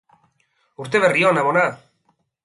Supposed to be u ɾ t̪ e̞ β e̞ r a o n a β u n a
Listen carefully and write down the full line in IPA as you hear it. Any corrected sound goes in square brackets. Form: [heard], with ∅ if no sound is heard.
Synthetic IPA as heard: u ɾ t̪ e̞ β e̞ r [i] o n a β [o] n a